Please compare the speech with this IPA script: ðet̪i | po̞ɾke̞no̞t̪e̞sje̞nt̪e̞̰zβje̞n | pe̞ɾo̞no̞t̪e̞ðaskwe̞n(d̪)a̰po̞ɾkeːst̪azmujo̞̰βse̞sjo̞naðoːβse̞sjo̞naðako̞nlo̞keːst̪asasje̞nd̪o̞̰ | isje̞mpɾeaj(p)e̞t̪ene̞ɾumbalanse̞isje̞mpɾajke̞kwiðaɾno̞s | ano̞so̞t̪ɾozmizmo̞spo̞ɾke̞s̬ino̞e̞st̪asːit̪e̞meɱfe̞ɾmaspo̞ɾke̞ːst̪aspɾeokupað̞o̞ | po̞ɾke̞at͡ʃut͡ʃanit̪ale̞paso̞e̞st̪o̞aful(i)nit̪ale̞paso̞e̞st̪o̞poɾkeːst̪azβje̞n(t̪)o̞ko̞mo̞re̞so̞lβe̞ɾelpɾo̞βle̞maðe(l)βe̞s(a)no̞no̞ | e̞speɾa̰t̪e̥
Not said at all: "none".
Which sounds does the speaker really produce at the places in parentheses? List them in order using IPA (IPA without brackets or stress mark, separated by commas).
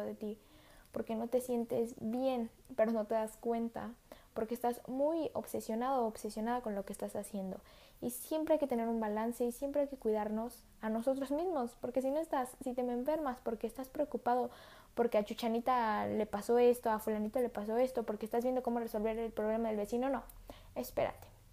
t̪, k, a, d̪, l, i